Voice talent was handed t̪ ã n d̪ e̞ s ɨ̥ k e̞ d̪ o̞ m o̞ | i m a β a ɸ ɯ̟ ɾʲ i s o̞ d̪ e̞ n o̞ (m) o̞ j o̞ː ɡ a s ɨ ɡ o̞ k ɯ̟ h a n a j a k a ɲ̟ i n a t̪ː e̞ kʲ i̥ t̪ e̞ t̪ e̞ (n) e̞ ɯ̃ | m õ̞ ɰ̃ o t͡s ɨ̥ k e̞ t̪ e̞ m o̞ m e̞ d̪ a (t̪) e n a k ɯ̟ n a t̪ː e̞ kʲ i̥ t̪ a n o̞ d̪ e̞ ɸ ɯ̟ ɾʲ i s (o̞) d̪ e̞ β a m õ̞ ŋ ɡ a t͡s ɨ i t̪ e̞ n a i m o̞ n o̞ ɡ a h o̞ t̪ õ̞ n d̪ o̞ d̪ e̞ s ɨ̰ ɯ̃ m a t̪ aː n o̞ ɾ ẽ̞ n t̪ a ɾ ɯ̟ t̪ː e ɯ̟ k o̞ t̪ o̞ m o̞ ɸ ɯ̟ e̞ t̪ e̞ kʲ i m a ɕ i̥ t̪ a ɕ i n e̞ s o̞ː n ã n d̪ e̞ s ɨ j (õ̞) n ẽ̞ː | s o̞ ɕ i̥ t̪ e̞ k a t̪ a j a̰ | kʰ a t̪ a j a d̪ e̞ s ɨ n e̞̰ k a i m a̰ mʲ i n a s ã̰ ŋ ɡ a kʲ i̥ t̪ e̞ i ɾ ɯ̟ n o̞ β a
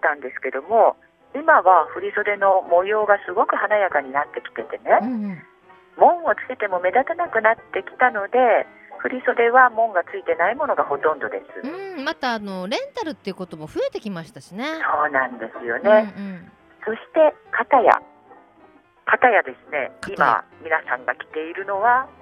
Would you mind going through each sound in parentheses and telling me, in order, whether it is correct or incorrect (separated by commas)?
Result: correct, correct, correct, correct, incorrect